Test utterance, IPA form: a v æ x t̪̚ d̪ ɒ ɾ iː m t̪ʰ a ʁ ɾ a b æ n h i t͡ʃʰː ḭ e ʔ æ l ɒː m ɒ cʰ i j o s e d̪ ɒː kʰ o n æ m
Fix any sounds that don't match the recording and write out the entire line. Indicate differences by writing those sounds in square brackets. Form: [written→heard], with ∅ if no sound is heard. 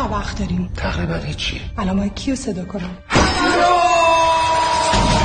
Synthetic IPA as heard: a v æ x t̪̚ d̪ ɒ ɾ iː m t̪ʰ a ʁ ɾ [a→i] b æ n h i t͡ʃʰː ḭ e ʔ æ l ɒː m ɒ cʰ i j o s e d̪ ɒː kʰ o n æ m